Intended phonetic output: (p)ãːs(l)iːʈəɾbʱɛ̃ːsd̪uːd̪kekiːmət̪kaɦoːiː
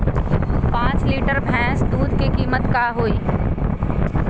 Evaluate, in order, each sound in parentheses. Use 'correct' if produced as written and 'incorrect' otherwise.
correct, correct

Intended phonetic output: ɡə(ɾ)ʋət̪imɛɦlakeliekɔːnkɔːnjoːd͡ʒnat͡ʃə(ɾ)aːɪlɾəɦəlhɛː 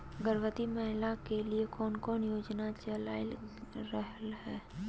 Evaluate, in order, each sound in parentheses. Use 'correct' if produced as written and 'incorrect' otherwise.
correct, incorrect

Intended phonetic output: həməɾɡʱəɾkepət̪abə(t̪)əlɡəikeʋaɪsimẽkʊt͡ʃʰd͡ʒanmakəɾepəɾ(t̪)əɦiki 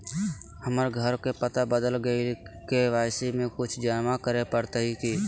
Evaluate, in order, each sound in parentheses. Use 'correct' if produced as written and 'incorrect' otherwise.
incorrect, correct

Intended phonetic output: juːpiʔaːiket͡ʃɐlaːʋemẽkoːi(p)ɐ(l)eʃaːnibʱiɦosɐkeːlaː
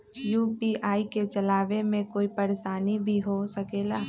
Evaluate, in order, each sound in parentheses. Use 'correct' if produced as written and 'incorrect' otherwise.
correct, incorrect

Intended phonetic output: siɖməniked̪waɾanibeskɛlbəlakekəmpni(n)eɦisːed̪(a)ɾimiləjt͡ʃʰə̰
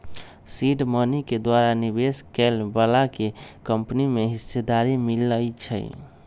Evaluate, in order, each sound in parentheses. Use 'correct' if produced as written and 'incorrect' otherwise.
incorrect, correct

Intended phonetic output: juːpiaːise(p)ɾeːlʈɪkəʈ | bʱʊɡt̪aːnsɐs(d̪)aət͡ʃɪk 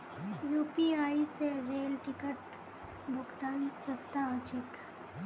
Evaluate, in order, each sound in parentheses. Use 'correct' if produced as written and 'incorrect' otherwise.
incorrect, incorrect

